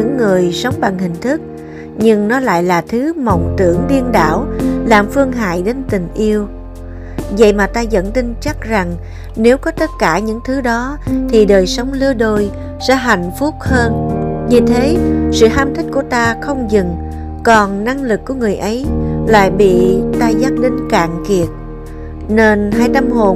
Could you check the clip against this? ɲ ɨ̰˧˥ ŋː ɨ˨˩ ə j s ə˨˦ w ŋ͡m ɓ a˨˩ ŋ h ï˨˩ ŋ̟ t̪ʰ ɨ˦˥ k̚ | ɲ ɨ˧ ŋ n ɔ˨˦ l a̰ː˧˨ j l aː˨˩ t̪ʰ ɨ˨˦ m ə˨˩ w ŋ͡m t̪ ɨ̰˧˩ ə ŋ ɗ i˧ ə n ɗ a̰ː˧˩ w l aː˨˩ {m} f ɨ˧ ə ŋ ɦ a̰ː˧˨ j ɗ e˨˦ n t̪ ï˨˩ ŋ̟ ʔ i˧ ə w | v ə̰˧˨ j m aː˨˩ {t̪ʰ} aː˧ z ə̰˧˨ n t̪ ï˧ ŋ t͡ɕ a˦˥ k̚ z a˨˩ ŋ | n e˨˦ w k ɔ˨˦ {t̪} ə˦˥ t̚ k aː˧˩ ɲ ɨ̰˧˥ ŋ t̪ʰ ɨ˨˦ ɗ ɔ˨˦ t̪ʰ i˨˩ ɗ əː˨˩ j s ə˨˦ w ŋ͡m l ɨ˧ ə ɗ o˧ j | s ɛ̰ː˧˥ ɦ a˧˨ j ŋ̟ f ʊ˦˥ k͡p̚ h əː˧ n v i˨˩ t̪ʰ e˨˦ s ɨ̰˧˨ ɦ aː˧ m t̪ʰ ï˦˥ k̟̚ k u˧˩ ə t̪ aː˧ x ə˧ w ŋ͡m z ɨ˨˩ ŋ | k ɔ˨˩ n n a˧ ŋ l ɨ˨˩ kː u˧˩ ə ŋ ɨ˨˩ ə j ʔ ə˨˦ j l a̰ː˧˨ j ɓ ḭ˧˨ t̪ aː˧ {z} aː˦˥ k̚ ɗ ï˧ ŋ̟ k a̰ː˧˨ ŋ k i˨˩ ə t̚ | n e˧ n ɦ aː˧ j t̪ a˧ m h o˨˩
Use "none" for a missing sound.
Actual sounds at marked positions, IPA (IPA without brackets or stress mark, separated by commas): m, t̪, t̪, z